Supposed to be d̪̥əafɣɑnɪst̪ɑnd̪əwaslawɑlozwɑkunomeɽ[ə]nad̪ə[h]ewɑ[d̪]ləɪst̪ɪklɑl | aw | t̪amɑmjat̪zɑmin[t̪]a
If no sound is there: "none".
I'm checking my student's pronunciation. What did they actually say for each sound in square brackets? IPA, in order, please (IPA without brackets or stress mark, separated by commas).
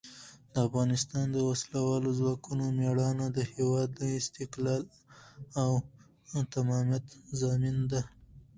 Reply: ɑ, h, d̪, d̪